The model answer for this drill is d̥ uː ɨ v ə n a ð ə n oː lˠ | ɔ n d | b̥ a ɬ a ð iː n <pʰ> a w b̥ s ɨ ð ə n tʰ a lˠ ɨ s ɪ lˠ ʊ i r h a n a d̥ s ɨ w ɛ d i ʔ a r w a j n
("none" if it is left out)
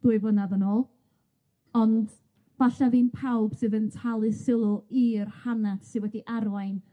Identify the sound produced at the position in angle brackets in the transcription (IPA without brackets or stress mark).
pʰ